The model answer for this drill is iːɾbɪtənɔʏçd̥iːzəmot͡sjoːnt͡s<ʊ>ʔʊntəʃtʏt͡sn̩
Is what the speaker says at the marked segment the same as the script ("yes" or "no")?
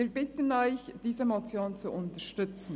no